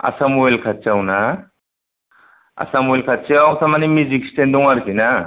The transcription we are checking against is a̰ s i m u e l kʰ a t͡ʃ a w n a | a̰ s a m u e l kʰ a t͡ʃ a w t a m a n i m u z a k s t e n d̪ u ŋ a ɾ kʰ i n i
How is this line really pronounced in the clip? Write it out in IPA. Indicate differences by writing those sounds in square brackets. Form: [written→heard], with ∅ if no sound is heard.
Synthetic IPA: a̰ s [i→a] m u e l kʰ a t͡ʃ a w n a | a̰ s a m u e l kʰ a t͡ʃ a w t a m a n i m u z [a→i] k s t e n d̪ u ŋ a ɾ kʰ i n [i→a]

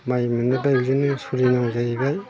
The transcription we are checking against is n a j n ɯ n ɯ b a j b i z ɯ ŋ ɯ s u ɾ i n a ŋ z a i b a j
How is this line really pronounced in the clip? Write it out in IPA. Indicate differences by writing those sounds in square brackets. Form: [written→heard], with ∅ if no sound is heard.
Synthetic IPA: [n→m] a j [n→m] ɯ n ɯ b a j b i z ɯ [ŋ→n] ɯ s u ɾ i n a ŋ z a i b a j

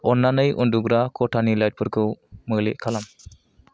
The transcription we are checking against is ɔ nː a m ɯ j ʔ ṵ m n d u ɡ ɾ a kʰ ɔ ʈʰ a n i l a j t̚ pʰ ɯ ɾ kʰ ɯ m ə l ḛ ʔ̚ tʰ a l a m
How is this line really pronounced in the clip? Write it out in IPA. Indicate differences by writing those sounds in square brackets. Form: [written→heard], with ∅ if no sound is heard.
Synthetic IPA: ɔ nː a [m→n] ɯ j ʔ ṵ [m→∅] n d u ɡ ɾ a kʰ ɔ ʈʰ a n i l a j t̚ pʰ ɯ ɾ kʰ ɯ m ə l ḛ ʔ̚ [tʰ→kʰ] a l a m

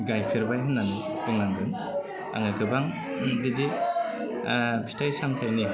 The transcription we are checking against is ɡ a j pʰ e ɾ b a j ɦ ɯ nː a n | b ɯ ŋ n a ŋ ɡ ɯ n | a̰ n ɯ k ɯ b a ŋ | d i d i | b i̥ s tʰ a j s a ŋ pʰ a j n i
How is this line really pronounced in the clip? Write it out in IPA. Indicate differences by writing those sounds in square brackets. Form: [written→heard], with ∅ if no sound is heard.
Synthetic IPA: ɡ a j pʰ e ɾ b a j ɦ ɯ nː a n | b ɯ ŋ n a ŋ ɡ ɯ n | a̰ [n→ŋ] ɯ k ɯ b a ŋ | d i d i | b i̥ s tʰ a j s a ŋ [pʰ→tʰ] a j n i

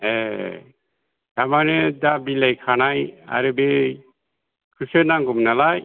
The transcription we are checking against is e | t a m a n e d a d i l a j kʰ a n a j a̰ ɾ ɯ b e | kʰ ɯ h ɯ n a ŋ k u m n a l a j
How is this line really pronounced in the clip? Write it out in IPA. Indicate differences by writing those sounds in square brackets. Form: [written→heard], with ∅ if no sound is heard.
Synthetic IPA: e | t a m a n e d a [d→b] i l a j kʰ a n a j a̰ ɾ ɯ b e | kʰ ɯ [h→s] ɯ n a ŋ [k→ɡ] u m n a l a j

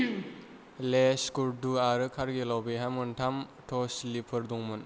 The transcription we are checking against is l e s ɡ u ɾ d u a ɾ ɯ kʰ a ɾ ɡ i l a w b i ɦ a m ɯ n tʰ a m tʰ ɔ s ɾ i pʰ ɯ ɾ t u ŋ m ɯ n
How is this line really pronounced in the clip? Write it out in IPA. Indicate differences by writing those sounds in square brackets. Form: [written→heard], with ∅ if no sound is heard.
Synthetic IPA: l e s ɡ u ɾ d u a ɾ ɯ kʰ a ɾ ɡ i l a w b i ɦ a m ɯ n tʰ a m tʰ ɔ s [ɾ→l] i pʰ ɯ ɾ [t→d] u ŋ m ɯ n

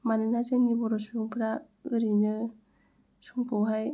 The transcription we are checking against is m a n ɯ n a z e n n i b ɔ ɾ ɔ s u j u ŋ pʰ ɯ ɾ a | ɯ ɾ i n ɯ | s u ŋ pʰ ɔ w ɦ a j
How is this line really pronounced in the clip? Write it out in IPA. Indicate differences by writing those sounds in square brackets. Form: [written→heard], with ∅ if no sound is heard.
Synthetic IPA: m a n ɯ n a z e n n i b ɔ ɾ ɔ s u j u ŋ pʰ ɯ ɾ a | ɯ ɾ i n ɯ | s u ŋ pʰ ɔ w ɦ a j

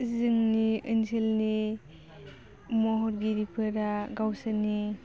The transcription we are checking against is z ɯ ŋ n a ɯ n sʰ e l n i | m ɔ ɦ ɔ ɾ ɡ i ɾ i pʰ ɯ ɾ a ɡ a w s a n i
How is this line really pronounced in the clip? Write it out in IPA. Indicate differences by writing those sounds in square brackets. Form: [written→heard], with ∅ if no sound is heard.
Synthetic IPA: z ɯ ŋ n [a→i] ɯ n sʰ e l n i | m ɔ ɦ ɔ ɾ ɡ i ɾ i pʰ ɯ ɾ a ɡ a w s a n i

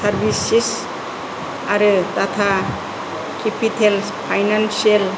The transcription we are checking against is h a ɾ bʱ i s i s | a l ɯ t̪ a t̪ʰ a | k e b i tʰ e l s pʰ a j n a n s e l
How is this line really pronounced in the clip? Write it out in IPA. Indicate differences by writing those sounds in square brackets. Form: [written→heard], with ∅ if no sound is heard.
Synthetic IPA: [h→s] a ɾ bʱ i s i s | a [l→ɾ] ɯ t̪ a t̪ʰ a | k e [b→p] i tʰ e l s pʰ a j n a n s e l

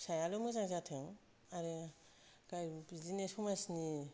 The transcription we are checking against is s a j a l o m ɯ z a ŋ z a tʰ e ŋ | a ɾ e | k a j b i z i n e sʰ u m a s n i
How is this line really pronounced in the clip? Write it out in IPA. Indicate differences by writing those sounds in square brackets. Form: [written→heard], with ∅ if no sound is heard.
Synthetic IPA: s a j a l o m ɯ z a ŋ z a tʰ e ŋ | a ɾ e | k a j b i z i n e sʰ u m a s n i

